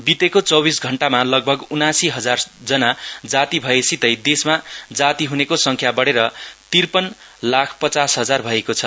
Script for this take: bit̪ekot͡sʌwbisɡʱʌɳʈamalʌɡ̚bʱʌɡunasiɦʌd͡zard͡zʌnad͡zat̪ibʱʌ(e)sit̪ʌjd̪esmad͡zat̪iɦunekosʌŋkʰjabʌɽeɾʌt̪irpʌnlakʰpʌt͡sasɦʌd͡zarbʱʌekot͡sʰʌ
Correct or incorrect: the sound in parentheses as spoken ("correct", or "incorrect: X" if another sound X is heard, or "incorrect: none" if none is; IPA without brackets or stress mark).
correct